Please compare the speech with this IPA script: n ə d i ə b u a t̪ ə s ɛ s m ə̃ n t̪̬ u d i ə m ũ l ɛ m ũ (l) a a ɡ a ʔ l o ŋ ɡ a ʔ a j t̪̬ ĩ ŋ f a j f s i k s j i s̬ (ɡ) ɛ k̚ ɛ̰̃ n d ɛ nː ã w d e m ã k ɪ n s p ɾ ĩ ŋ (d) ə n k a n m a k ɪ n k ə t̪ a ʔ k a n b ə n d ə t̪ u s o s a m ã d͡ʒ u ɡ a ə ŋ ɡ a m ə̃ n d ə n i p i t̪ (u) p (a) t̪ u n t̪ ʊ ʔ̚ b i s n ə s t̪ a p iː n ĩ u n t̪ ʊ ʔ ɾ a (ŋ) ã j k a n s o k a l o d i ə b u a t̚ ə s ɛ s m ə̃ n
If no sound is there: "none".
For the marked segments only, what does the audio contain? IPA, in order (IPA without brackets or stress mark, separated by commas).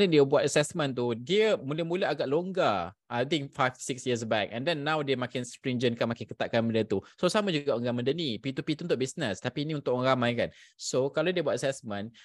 l, b, d͡ʒ, u, i, m